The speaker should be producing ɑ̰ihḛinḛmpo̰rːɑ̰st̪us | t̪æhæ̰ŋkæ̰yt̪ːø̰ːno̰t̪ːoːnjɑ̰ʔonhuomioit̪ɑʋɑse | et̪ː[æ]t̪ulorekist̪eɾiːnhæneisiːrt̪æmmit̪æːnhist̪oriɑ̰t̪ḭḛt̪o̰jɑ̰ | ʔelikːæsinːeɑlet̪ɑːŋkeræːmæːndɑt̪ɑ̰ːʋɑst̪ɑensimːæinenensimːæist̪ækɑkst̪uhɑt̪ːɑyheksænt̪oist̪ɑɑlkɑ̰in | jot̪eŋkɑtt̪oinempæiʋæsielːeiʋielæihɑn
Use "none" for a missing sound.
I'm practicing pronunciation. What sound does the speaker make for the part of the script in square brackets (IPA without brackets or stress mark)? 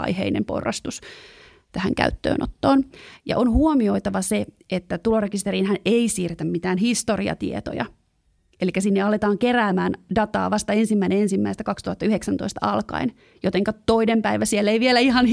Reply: æ